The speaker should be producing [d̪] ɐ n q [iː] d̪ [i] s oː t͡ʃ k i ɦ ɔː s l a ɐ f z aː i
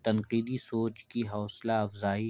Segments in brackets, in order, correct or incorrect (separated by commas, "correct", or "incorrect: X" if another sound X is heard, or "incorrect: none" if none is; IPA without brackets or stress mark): incorrect: t̪, correct, correct